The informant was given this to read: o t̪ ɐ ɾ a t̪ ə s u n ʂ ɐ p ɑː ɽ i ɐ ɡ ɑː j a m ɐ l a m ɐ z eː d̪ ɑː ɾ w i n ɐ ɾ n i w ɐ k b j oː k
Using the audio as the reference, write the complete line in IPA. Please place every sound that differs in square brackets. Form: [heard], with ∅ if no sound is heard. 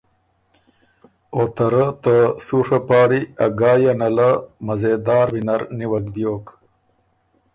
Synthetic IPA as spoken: o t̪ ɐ ɾ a t̪ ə s u [∅] ʂ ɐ p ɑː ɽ i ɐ ɡ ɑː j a [n] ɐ l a m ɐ z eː d̪ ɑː ɾ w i n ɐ ɾ n i w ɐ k b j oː k